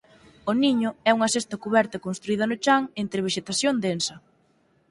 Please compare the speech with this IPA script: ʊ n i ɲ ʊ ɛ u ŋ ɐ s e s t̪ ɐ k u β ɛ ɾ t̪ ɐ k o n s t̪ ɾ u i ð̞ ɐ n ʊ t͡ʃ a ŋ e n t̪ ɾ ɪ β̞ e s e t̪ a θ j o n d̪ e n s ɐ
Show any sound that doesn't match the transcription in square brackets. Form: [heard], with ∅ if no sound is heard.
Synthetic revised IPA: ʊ n i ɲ ʊ ɛ u ŋ ɐ s e s t̪ ɐ k u β ɛ ɾ t̪ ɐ k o n s t̪ ɾ u i ð̞ ɐ n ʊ t͡ʃ a ŋ e n t̪ ɾ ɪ β̞ e [ʃ] e t̪ a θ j o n d̪ e n s ɐ